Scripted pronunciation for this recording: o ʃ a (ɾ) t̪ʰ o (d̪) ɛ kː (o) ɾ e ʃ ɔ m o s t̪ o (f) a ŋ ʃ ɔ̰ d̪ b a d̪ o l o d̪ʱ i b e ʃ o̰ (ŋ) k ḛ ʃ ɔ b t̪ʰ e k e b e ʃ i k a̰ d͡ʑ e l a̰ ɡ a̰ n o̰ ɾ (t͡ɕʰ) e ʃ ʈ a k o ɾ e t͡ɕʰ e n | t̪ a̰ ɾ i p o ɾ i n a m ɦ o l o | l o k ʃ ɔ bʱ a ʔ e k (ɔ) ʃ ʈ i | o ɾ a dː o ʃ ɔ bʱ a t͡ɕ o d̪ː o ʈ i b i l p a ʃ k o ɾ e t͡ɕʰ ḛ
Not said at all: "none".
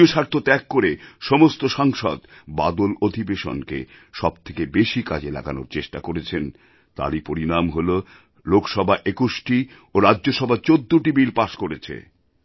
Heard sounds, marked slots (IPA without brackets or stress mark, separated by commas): ɾ, t̪, o, ʃ, n, t͡ɕ, u